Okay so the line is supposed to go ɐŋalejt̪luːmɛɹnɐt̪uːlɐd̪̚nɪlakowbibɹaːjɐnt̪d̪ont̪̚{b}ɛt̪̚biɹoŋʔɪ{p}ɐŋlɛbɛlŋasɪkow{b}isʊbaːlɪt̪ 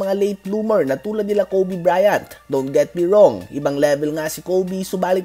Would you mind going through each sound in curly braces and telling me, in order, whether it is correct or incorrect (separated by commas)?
incorrect, incorrect, correct